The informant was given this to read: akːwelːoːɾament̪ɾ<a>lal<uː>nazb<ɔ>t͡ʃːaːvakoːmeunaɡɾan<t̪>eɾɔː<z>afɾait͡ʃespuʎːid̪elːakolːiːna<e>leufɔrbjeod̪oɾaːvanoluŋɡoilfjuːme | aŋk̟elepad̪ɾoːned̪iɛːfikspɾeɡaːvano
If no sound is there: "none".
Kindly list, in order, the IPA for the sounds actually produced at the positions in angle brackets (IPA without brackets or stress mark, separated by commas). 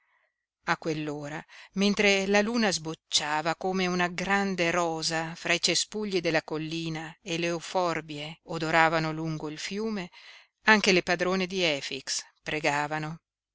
e, uː, o, d̪, z, e